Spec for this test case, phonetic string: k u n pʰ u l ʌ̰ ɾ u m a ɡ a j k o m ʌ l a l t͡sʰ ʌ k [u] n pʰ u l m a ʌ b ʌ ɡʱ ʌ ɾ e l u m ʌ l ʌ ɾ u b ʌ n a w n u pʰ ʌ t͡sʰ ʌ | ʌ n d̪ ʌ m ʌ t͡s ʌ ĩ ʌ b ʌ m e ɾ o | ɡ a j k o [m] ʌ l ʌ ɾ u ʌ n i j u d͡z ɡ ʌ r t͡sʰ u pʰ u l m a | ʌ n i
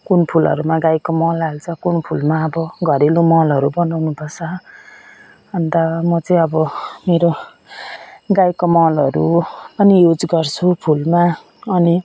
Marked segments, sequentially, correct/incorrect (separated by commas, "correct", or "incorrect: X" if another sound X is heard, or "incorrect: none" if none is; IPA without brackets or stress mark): correct, correct